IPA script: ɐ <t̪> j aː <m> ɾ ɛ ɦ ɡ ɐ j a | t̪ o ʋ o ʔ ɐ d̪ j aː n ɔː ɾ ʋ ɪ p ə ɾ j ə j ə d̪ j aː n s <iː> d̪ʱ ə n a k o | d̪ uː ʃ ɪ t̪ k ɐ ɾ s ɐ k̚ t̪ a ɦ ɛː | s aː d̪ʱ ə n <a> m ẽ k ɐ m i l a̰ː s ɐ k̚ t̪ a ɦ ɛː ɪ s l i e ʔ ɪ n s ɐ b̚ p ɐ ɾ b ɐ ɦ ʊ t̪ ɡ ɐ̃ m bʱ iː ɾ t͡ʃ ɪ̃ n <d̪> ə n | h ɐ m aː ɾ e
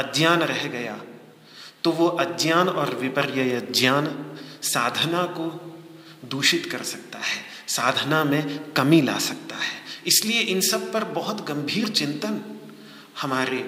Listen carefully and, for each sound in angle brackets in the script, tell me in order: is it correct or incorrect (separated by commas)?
incorrect, incorrect, incorrect, correct, incorrect